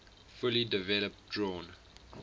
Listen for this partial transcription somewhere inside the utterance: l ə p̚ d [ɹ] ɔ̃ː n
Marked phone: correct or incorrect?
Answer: correct